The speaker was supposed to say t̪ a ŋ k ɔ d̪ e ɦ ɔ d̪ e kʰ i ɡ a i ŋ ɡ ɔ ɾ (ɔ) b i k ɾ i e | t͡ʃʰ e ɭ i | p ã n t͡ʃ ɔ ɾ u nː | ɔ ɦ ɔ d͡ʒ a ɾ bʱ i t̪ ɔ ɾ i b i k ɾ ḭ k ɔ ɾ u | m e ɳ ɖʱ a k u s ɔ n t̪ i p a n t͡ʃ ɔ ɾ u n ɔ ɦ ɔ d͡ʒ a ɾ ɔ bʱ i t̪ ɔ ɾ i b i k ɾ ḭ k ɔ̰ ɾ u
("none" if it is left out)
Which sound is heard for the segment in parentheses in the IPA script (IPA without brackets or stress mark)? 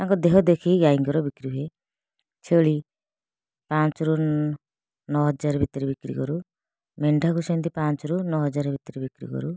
ɔ